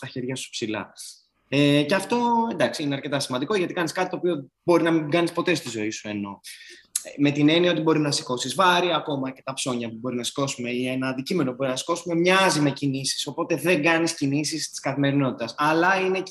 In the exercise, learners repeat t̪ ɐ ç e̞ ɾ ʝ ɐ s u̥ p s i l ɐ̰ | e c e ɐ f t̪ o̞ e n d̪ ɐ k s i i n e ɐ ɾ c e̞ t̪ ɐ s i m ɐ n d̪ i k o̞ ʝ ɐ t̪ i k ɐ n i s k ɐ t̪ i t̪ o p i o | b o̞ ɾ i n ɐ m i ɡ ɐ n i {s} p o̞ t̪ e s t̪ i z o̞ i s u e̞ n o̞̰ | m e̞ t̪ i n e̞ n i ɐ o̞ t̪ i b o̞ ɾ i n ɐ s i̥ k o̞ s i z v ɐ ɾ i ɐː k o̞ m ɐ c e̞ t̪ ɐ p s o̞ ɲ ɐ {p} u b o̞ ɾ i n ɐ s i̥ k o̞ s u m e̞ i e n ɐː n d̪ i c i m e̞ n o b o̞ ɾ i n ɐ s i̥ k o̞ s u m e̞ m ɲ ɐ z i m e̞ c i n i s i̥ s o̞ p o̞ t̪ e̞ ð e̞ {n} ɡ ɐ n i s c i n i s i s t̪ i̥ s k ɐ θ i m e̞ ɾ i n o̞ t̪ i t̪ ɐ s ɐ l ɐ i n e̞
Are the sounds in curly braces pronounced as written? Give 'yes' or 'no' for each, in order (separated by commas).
yes, yes, no